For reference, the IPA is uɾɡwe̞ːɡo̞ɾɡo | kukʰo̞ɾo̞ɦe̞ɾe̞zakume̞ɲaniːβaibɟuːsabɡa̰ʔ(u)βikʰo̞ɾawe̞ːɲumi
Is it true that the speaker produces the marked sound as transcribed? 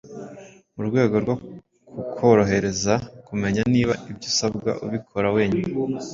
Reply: yes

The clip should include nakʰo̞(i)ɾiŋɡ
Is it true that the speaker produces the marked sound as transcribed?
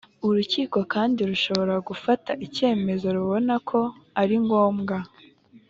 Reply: no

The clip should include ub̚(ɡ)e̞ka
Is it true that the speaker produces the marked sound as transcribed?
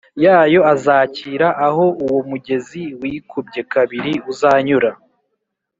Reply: no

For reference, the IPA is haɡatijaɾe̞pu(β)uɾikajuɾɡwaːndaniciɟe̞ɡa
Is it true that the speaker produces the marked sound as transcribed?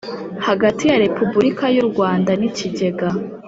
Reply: no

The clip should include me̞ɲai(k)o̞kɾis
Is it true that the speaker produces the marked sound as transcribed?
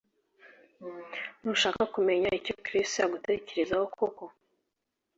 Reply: no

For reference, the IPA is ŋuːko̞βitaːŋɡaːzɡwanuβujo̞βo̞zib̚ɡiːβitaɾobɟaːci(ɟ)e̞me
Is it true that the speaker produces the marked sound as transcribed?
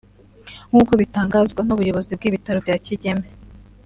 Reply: yes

